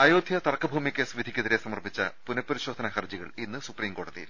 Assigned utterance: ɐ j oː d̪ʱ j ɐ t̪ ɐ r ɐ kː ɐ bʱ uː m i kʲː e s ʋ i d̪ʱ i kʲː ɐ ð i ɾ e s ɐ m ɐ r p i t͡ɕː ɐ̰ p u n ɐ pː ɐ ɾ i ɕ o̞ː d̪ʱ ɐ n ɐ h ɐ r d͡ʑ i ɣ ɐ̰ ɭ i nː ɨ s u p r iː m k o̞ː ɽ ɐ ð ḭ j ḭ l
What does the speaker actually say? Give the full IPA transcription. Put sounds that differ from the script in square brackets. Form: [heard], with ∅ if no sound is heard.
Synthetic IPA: ɐ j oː d̪ʱ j ɐ t̪ ɐ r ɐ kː ɐ bʱ uː m i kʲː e s ʋ i d̪ʱ i kʲː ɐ ð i ɾ e s ɐ m ɐ r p i t͡ɕː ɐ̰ p u n ɐ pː ɐ ɾ i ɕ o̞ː d̪ʱ ɐ n ɐ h ɐ r d͡ʑ i ɣ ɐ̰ ɭ i nː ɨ s u p r iː m k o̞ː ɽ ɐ ð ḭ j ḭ l